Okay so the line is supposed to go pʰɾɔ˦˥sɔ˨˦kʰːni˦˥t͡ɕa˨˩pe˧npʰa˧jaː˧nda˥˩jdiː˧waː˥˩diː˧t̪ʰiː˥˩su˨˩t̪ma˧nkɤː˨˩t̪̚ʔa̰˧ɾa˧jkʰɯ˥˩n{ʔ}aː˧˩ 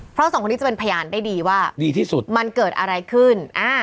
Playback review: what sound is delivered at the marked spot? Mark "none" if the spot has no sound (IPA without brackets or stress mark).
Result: ʔ